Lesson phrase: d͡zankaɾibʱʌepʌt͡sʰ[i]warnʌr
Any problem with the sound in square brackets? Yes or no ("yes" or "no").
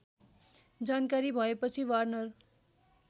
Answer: no